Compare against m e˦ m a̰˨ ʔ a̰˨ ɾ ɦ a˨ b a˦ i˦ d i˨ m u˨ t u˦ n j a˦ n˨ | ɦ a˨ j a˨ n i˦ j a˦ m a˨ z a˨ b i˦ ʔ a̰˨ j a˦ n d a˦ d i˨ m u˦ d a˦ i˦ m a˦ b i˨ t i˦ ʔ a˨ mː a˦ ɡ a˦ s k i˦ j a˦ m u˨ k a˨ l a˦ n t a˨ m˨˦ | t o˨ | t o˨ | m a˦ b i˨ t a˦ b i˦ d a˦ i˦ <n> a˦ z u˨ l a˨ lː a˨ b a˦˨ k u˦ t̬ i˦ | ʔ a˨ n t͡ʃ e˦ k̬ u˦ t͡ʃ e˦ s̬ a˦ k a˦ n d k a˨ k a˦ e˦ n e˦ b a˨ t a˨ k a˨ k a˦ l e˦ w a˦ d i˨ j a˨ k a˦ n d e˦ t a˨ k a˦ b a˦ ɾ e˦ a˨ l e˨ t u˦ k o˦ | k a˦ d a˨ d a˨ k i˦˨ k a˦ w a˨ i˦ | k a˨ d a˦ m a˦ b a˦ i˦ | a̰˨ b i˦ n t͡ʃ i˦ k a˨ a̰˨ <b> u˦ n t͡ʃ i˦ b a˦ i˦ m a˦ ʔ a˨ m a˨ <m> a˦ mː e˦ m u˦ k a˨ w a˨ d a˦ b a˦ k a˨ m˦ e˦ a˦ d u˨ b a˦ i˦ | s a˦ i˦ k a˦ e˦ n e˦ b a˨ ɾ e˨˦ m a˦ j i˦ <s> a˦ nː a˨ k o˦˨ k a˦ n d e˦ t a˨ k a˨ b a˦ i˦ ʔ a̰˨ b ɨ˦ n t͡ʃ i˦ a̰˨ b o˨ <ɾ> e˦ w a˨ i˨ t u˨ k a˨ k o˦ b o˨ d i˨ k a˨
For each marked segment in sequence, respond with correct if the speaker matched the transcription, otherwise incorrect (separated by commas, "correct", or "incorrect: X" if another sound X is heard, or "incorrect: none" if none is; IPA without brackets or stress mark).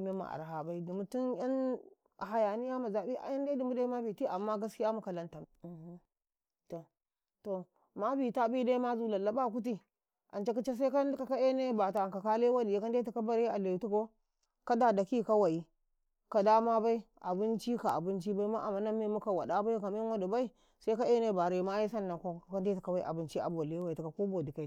incorrect: m, correct, incorrect: n, correct, incorrect: l